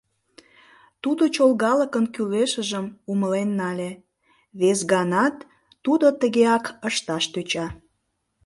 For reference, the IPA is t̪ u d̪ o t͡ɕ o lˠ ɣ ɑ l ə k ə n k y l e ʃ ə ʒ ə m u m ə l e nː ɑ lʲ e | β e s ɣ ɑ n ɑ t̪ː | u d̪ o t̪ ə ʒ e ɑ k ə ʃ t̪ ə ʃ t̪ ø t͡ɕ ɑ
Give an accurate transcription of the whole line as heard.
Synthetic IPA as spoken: t̪ u d̪ o t͡ɕ o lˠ ɣ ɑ l ə k ə n k y l e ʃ ə ʒ ə m u m ə l e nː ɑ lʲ e | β e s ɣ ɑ n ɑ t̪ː | u d̪ o t̪ ə ɣ e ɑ k ə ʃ t̪ ɑ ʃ t̪ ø t͡ɕ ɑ